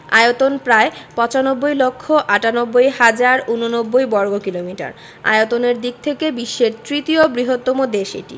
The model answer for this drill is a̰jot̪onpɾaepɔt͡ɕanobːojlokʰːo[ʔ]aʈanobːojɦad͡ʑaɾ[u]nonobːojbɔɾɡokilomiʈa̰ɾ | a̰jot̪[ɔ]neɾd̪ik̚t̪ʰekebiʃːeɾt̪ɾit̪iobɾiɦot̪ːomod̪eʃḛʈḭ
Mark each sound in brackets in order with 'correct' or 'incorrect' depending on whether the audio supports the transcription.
correct, correct, incorrect

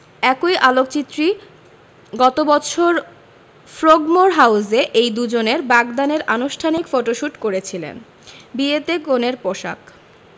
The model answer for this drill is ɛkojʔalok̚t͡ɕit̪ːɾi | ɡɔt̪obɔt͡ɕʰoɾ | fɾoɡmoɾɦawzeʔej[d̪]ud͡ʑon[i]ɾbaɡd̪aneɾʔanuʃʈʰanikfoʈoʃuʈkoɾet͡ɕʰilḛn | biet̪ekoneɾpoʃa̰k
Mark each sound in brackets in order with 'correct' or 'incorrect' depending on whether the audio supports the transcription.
correct, incorrect

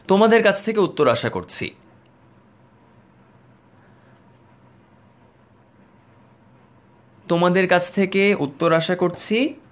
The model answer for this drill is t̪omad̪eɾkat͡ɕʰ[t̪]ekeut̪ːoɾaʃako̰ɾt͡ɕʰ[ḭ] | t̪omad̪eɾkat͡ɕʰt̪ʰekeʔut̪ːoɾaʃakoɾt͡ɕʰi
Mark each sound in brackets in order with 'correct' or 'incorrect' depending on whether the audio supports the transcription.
incorrect, correct

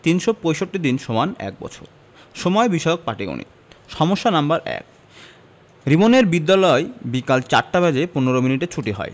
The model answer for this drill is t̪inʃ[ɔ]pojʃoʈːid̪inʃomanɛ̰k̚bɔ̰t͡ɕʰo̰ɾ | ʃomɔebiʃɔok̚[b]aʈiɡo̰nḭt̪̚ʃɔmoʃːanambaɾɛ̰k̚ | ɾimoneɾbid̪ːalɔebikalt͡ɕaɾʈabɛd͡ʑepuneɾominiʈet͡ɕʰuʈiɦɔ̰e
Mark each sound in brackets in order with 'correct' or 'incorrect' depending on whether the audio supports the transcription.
incorrect, incorrect

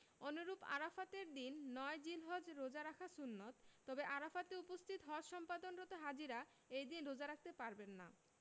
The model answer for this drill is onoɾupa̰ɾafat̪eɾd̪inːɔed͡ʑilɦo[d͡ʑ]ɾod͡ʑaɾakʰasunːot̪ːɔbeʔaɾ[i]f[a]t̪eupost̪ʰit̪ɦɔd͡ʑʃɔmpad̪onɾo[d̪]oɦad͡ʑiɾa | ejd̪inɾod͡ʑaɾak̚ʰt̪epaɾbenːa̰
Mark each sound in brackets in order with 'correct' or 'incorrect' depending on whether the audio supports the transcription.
correct, incorrect, correct, incorrect

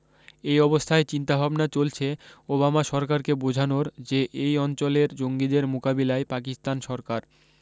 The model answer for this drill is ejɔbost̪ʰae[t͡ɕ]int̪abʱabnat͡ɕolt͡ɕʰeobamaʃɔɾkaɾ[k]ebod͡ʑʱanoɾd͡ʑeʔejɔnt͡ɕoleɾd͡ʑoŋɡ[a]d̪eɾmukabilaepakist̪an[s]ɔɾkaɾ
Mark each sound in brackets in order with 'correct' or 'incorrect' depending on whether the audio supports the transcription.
correct, correct, incorrect, incorrect

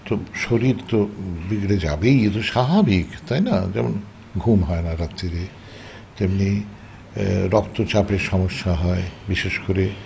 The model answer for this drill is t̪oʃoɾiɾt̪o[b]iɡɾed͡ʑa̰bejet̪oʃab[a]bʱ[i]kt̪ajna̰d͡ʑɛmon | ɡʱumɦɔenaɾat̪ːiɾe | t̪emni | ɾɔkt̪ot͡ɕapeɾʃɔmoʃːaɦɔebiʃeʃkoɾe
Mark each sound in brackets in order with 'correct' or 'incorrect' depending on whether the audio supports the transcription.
correct, correct, correct

